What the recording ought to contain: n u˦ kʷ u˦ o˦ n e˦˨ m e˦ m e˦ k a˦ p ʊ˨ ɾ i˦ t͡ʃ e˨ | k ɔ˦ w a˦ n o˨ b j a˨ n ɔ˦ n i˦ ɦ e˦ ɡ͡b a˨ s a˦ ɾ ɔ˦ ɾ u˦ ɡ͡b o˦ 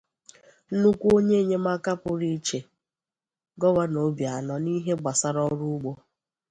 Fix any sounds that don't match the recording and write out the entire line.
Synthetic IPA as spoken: n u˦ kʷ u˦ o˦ ɲ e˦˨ ɲ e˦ m a˦ k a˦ p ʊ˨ ɾ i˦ t͡ʃ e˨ | ɡ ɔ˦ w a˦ n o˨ b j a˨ n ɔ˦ n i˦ ɦ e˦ ɡ͡b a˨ s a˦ ɾ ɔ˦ ɾ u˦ ɡ͡b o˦